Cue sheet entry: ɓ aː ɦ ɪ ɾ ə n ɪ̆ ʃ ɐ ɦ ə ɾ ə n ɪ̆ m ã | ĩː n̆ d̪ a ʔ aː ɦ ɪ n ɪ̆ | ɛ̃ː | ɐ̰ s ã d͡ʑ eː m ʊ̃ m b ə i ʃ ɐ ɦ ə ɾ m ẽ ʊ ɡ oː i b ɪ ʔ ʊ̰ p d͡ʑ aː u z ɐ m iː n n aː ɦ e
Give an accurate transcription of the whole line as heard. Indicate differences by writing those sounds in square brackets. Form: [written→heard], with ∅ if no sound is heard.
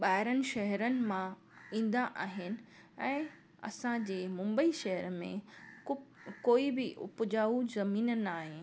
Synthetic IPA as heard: ɓ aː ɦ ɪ ɾ ə n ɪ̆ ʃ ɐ ɦ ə ɾ ə n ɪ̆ m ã | ĩː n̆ d̪ a ʔ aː ɦ ɪ n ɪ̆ | ɛ̃ː | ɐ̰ s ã d͡ʑ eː m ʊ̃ m b ə i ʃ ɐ ɦ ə ɾ m ẽ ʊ [ɡ→k] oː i b ɪ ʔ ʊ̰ p d͡ʑ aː u z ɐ m iː n n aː ɦ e